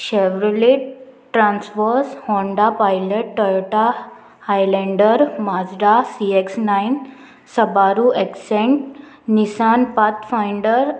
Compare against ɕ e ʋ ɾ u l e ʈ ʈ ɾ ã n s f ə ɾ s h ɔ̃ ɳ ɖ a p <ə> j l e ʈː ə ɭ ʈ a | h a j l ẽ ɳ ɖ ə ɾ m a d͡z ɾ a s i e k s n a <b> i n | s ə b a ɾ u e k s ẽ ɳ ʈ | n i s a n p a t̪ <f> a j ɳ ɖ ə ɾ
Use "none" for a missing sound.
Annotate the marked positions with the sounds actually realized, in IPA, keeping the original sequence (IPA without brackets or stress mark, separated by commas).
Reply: a, none, f